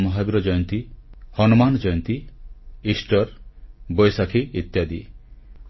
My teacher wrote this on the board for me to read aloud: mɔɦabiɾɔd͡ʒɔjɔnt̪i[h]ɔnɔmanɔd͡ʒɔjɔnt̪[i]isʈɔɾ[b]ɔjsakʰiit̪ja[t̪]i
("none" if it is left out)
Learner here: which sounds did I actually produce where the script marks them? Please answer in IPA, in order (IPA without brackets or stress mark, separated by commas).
h, i, b, d̪